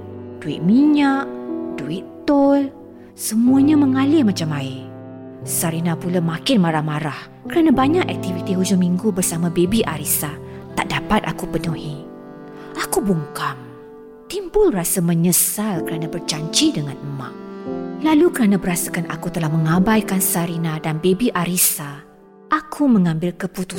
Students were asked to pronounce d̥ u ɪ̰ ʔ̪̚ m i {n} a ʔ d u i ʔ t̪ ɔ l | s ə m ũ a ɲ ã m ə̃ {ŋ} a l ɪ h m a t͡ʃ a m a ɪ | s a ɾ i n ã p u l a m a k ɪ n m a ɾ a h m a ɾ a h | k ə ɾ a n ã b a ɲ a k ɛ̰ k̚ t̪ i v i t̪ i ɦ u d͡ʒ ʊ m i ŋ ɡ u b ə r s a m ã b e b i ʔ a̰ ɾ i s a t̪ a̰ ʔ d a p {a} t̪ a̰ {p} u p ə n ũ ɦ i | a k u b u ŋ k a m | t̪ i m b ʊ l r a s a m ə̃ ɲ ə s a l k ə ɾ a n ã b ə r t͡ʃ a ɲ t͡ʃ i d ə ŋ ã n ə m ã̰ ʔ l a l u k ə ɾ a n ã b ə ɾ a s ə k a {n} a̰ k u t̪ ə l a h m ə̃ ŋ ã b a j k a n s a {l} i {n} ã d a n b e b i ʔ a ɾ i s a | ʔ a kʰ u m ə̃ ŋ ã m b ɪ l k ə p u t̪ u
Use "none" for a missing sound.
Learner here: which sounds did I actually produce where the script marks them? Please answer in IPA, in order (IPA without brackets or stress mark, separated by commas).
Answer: ɲ, ŋ, a, k, n, ɾ, n